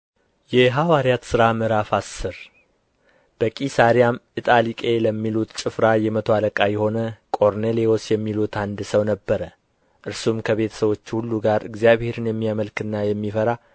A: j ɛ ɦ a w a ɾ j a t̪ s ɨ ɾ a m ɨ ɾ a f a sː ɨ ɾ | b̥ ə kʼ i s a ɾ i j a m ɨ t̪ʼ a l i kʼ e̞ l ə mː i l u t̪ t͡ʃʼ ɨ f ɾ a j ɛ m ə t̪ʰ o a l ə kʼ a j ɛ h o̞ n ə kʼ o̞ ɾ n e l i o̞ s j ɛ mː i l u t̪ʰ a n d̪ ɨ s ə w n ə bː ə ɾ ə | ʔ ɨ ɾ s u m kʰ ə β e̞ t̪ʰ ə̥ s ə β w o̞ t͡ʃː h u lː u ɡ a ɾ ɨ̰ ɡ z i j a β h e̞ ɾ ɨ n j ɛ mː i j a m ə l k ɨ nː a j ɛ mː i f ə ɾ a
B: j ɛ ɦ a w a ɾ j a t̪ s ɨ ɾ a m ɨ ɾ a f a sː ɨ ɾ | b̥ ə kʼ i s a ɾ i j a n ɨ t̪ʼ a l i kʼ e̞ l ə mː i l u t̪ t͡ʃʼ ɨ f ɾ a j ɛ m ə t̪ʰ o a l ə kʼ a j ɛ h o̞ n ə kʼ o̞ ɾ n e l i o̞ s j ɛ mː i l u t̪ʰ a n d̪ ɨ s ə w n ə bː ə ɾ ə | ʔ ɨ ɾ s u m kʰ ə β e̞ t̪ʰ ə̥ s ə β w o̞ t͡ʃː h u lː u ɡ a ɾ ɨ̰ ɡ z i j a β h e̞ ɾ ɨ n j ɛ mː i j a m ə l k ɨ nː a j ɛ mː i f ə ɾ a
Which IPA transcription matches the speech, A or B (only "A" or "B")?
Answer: A